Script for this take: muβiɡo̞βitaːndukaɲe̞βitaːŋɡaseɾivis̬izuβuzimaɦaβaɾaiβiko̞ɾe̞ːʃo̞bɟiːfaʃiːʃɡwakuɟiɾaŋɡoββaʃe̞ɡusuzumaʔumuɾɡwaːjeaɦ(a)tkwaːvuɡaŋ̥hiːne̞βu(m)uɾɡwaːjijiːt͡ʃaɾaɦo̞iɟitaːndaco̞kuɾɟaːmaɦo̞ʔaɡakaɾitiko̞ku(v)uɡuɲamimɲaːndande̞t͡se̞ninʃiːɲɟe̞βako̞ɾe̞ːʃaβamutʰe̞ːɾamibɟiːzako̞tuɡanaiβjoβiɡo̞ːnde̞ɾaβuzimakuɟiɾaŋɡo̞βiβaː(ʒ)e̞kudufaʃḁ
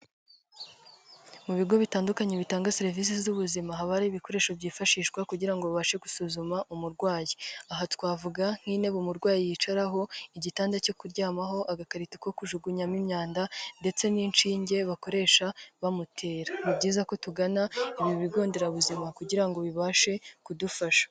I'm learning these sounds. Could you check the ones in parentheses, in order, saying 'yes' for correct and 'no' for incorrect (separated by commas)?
yes, yes, no, no